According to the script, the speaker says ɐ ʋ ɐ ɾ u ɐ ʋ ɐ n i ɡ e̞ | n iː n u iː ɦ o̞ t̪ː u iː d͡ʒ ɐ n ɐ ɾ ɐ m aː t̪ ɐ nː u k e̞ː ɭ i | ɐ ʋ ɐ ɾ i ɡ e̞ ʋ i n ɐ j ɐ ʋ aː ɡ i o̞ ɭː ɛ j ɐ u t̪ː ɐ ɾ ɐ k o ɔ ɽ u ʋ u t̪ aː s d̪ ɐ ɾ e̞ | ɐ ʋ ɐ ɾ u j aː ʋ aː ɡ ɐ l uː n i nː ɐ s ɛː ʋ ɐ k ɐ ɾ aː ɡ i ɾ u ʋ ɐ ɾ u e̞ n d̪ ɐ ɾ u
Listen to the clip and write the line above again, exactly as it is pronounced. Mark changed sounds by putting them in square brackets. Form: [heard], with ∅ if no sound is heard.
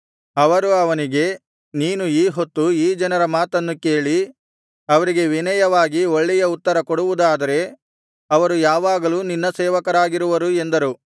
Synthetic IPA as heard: ɐ ʋ ɐ ɾ u ɐ ʋ ɐ n i ɡ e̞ | n iː n u iː ɦ o̞ t̪ː u iː d͡ʒ ɐ n ɐ ɾ ɐ m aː t̪ ɐ nː u k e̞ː ɭ i | ɐ ʋ ɐ ɾ i ɡ e̞ ʋ i n ɐ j ɐ ʋ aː ɡ i o̞ ɭː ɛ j ɐ u t̪ː ɐ ɾ ɐ k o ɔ ɽ u ʋ u [d̪] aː [∅] d̪ ɐ ɾ e̞ | ɐ ʋ ɐ ɾ u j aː ʋ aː ɡ ɐ l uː n i nː ɐ s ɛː ʋ ɐ k ɐ ɾ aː ɡ i ɾ u ʋ ɐ ɾ u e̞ n d̪ ɐ ɾ u